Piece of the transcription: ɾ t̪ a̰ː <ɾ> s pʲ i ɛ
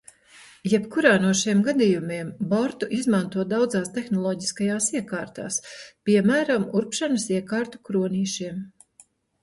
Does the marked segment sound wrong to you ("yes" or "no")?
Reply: yes